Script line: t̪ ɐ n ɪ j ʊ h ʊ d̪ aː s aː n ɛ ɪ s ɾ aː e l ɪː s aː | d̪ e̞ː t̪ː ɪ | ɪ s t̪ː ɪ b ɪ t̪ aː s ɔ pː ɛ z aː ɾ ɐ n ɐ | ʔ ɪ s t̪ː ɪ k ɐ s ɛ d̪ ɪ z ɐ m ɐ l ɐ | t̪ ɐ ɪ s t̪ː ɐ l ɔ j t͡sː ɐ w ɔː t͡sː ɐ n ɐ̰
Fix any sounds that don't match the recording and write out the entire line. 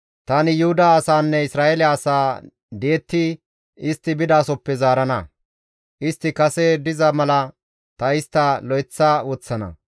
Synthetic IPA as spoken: t̪ ɐ n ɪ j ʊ h ʊ d̪ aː s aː nː ɛ ɪ s ɾ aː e l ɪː s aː | d̪ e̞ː t̪ː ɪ | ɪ s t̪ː ɪ b ɪ d̪ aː s ɔ pː ɛ z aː ɾ ɐ n ɐ | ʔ ɪ s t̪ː ɪ k ɐ s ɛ d̪ ɪ z ɐ m ɐ l ɐ | t̪ ɐ ɪ s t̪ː ɐ l ɔ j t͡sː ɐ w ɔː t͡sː ɐ n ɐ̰